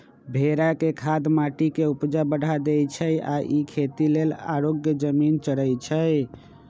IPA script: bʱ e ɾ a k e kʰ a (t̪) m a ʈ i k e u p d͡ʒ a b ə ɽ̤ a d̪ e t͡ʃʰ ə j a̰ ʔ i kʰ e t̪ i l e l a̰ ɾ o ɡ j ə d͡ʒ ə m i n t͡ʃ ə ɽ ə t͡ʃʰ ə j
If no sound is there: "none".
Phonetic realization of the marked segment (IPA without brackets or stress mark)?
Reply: d̪